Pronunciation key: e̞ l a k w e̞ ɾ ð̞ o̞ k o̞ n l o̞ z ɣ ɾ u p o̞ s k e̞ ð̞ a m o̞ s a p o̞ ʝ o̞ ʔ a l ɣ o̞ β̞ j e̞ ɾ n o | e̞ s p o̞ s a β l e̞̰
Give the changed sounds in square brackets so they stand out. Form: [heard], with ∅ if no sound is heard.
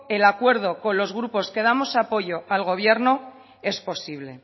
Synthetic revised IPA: e̞ l a k w e̞ ɾ ð̞ o̞ k o̞ n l o̞ z ɣ ɾ u p o̞ s k e̞ ð̞ a m o̞ s a p o̞ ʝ o̞ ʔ a l ɣ o̞ β̞ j e̞ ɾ n o | e̞ s p o̞ s [i] β l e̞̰